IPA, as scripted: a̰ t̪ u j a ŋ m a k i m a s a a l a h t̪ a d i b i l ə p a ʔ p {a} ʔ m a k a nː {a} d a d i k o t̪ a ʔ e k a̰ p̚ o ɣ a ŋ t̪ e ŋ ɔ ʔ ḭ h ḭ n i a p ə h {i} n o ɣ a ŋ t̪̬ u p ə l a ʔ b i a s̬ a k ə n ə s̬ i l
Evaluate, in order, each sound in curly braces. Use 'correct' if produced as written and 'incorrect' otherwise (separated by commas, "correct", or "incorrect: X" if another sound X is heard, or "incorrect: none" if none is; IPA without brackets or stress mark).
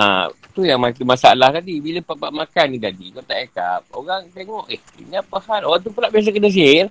correct, incorrect: i, incorrect: a